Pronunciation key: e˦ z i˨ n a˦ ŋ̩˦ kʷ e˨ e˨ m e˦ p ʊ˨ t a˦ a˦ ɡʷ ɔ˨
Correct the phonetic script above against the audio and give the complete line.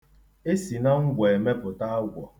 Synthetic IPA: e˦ s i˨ n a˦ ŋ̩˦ ɡʷ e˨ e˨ m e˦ p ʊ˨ t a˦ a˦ ɡʷ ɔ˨

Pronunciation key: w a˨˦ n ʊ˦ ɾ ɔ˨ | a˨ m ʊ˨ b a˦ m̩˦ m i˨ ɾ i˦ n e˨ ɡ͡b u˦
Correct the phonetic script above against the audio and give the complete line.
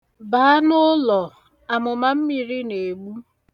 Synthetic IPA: b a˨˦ n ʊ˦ l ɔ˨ | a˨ m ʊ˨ m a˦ m̩˦ m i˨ ɾ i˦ n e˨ ɡ͡b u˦

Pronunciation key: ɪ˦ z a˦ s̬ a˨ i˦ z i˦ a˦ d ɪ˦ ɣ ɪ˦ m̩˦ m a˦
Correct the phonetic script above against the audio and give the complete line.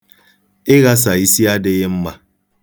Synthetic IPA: ɪ˦ ɣ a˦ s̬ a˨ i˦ s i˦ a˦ d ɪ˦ ɣ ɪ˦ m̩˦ m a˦

